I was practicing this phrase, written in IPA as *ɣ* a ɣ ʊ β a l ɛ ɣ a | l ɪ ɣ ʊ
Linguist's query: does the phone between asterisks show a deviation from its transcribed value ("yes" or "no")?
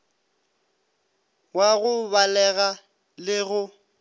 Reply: yes